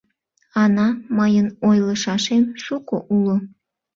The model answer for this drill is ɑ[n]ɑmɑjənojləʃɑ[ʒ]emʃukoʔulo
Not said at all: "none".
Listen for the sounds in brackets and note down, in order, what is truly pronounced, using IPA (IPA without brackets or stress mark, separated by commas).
n, ʃ